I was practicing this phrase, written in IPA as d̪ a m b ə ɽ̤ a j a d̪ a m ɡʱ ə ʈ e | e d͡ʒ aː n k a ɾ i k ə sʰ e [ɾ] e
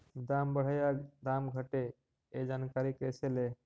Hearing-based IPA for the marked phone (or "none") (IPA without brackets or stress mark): l